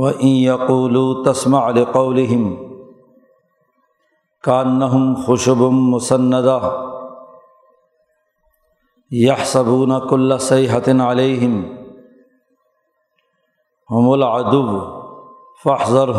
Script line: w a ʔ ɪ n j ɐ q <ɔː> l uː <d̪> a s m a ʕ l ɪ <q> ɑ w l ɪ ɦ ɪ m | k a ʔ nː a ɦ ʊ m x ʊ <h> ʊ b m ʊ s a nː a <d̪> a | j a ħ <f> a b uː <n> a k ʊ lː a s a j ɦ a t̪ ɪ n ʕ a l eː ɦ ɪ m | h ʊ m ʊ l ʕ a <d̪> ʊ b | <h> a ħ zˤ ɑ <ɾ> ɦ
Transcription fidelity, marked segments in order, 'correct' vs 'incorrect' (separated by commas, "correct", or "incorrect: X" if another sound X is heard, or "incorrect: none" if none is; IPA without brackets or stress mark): incorrect: uː, incorrect: t̪, correct, incorrect: ʃ, correct, incorrect: s, correct, correct, incorrect: f, correct